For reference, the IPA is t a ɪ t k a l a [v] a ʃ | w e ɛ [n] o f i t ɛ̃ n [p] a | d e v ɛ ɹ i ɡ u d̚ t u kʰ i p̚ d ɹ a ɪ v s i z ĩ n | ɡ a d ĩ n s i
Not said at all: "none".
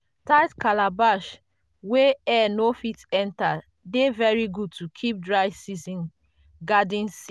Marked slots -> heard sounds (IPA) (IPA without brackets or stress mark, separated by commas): b, n, t